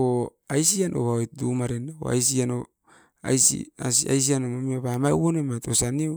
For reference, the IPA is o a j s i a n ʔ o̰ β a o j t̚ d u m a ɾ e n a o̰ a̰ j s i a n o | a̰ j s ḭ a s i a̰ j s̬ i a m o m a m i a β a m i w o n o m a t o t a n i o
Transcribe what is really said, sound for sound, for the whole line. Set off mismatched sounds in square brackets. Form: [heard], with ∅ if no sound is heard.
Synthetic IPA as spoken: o a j s i a n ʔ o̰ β a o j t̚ d u m a ɾ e n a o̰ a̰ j s i a n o | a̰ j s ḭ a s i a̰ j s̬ i a [n] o m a m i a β a m [a] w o n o m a t o [s] a n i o

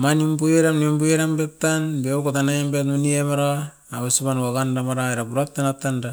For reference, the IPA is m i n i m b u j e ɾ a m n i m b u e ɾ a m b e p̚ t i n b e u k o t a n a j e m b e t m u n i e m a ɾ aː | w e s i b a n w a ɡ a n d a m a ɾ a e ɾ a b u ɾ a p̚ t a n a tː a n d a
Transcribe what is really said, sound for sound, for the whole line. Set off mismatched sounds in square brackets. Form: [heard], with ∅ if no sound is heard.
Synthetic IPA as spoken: m [a] n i m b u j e ɾ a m n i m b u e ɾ a m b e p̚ t [a] n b e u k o t a n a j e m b e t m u n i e m a ɾ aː | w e s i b a n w a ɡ a n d a m a ɾ a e ɾ a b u ɾ a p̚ t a n a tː a n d a

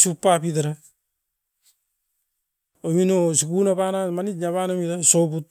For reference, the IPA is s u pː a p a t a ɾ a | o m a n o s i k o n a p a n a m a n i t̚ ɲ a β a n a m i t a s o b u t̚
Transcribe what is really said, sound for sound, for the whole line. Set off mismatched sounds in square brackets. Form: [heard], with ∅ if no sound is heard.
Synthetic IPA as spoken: s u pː a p [i] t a ɾ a | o m [i] n o s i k [u] n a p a n a m a n i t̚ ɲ a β a n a m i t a s o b u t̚

